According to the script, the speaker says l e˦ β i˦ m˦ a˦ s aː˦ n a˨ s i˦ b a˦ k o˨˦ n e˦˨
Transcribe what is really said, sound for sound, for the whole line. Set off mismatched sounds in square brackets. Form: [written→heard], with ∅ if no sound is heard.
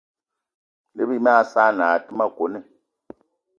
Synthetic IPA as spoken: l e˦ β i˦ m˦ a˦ s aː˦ n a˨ [s→t] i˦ [b→m] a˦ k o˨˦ n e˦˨